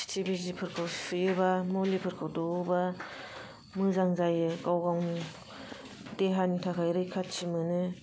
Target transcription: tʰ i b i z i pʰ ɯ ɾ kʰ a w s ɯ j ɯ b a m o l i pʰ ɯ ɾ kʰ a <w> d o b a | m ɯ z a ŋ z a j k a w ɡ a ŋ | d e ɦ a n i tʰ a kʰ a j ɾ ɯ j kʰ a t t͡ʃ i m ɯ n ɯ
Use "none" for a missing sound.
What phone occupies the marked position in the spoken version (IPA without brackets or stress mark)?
w